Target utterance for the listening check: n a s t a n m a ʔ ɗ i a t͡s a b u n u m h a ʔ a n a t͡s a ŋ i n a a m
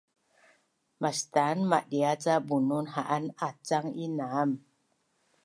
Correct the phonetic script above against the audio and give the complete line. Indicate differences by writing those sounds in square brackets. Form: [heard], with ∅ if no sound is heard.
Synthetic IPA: [m] a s t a n m a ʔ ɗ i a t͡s a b u n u [n] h a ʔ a n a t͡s a ŋ i n a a m